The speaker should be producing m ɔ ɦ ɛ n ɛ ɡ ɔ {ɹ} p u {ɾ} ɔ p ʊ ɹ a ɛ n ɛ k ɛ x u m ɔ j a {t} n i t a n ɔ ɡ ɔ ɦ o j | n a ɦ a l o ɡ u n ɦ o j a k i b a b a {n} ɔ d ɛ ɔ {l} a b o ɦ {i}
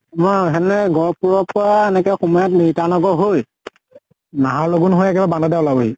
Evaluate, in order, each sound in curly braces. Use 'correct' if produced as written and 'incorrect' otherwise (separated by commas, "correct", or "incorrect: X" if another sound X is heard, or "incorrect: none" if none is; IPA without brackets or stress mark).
correct, incorrect: ɹ, correct, correct, correct, correct